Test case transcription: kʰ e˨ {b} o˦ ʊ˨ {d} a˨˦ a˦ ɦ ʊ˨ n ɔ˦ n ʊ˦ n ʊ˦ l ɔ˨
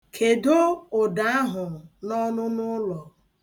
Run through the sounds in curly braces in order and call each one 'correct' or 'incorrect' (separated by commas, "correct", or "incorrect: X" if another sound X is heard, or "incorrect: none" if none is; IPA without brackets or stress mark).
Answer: incorrect: d, correct